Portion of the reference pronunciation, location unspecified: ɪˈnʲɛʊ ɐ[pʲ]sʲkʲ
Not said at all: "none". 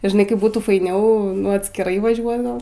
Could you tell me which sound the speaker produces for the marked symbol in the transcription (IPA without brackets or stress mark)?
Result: tʲ